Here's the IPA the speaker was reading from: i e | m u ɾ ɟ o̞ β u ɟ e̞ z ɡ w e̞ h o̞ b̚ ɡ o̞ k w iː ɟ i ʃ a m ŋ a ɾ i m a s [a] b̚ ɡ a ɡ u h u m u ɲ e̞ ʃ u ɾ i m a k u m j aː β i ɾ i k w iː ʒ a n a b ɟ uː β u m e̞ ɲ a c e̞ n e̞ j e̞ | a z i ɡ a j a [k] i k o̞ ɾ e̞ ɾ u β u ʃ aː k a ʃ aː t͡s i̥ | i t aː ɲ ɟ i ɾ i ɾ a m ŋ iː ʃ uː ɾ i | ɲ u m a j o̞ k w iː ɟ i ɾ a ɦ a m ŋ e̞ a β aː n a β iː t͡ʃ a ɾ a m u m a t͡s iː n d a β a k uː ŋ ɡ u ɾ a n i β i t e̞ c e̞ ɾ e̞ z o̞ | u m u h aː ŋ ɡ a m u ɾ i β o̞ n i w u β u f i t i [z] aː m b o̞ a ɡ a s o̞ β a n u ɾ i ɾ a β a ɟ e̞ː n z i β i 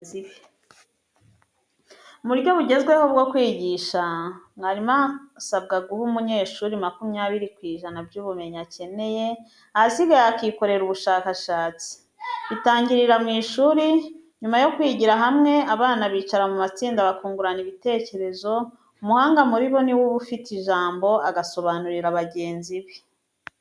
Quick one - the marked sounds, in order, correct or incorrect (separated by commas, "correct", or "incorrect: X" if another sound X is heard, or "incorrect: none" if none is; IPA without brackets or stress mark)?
correct, correct, incorrect: ʒ